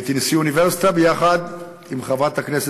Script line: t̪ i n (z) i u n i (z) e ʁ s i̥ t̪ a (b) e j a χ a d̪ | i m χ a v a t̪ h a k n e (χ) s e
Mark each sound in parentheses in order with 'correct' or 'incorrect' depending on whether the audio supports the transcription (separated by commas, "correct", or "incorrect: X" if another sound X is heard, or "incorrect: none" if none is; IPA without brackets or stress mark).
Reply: incorrect: s, incorrect: v, correct, incorrect: none